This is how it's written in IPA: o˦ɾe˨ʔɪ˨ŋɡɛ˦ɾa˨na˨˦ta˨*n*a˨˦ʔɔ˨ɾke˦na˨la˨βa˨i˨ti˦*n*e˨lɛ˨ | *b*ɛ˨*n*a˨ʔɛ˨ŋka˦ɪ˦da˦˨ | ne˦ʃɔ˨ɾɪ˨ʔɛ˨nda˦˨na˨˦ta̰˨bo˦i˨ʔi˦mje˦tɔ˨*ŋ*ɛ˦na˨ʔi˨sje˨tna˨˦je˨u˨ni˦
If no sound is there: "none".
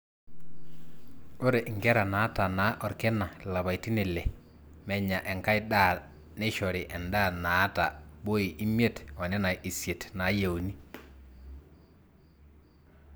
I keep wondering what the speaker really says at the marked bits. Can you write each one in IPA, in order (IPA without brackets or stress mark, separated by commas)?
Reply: n, n, m, ɲ, n